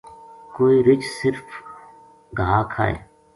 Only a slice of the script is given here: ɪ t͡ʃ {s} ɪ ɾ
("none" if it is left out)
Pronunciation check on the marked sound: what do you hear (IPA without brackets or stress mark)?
s